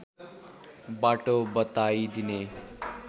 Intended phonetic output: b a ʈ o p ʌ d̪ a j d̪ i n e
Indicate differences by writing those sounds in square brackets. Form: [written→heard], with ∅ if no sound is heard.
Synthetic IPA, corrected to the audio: b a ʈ o [p→b] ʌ [d̪→t̪] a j d̪ i n e